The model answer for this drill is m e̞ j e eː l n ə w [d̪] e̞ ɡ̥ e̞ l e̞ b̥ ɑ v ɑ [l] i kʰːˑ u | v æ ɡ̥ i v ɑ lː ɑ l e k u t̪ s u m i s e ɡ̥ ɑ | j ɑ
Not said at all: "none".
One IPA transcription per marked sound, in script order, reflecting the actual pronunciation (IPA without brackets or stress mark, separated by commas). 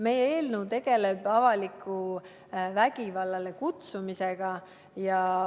t̪, l